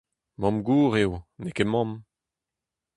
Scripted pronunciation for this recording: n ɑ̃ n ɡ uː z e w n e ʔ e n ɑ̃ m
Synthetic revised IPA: m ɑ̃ m ɡ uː ʁ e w n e k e m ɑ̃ m